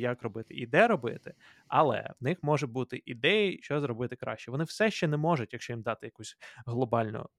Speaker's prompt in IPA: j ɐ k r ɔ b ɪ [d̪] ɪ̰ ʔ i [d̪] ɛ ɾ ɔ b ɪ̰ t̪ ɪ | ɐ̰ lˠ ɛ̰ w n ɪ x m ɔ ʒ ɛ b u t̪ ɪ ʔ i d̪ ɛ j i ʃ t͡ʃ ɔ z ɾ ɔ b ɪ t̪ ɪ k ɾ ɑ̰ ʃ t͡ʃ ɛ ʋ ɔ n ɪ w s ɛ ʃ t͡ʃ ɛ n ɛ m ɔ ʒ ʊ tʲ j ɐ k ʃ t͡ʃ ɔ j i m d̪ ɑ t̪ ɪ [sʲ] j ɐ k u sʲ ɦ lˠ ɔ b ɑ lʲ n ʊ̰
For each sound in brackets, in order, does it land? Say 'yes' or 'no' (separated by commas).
no, yes, no